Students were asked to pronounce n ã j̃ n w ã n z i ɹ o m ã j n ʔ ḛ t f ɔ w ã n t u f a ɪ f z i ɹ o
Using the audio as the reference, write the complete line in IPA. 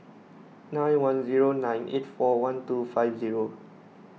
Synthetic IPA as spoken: n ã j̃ n w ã n z i ɹ o n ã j n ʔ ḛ t f ɔ w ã n t u f a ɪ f z i ɹ o